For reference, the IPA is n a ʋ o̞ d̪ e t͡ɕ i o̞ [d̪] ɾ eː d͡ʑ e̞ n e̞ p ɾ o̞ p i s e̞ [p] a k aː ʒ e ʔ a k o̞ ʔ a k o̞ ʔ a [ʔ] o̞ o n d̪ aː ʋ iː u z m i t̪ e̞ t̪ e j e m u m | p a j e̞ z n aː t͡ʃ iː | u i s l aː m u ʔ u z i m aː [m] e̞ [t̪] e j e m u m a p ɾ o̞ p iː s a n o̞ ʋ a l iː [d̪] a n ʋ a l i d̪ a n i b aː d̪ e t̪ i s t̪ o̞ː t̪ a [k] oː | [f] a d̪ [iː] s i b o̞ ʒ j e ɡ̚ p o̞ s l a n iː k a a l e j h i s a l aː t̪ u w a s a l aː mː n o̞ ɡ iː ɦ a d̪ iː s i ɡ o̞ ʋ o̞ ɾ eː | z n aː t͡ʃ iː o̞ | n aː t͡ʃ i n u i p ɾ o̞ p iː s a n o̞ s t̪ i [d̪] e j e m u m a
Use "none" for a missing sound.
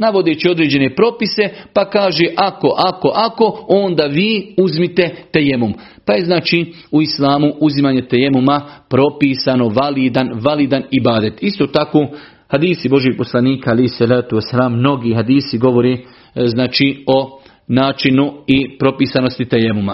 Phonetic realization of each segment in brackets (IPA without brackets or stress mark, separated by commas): d̪, p, k, ɲ, t̪, d̪, k, h, iː, t̪